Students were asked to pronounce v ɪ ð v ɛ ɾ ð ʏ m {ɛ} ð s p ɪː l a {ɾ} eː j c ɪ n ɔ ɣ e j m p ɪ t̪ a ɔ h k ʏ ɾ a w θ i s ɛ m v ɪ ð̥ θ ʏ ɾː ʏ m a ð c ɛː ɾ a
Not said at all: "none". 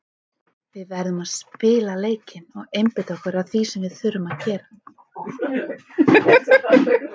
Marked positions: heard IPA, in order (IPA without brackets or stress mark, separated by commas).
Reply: a, l